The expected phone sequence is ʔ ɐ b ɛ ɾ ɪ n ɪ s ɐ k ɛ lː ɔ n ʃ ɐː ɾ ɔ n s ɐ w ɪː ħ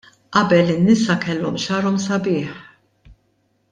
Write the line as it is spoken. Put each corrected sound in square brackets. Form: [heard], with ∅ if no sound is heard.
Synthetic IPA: ʔ ɐ b ɛ [l] ɪ [nː] ɪ s ɐ k ɛ lː ɔ [m] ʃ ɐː ɾ ɔ [m] s ɐ [b] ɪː ħ